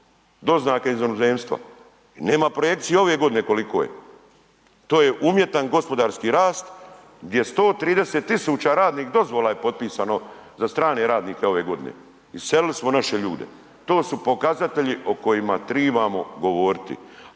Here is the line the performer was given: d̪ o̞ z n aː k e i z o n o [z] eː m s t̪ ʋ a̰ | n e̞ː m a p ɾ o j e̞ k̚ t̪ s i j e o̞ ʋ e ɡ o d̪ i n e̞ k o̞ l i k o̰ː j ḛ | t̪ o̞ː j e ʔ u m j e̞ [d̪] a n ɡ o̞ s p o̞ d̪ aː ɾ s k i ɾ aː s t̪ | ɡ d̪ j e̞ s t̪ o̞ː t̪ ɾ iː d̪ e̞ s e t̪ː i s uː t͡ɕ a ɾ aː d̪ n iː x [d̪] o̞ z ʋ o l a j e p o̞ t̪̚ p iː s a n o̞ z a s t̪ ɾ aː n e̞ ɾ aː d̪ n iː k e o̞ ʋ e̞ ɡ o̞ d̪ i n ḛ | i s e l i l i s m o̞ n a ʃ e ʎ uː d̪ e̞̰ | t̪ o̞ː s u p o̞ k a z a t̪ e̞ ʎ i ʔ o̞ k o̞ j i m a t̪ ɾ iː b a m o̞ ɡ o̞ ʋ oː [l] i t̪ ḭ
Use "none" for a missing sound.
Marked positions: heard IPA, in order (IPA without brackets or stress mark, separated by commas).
z, t̪, d̪, ɾ